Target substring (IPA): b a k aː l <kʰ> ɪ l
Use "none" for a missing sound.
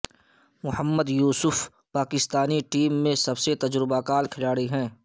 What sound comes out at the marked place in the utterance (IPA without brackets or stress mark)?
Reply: kʰ